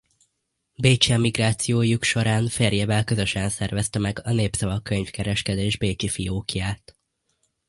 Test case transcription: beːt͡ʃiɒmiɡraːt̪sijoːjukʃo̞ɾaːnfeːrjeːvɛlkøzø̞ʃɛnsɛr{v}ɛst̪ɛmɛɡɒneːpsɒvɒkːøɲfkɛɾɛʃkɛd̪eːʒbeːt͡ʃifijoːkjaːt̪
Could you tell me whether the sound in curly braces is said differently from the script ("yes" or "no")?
no